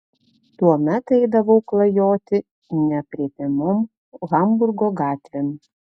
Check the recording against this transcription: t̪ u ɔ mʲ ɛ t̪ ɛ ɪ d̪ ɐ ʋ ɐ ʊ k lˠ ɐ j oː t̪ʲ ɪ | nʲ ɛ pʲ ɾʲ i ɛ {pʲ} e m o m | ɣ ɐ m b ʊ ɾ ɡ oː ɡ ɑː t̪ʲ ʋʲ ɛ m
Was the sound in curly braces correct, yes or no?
yes